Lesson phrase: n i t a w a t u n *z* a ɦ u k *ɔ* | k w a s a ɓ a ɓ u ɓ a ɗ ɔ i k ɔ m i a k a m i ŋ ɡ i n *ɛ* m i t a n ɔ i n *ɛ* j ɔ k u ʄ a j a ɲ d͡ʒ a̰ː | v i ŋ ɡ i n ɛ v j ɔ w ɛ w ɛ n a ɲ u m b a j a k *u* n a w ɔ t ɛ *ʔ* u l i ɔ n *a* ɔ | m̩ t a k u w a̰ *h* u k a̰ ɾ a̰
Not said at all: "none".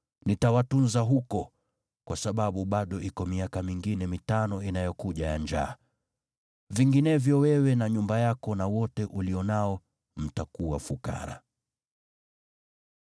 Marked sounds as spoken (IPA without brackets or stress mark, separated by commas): z, ɔ, ɛ, a, ɔ, ʔ, a, f